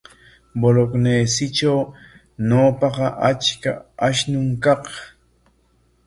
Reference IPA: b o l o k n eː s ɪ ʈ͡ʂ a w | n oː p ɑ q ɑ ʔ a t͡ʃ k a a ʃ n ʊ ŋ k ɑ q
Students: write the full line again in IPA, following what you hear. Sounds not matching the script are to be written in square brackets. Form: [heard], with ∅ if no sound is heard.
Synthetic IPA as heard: b o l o k n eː s ɪ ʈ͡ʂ a w | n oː p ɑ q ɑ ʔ a t͡ʃ k a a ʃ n ʊ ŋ k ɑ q